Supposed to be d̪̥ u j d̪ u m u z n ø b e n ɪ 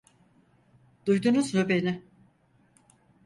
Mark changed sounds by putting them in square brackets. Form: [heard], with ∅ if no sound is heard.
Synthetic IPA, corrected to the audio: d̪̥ u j d̪ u [n] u z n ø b e n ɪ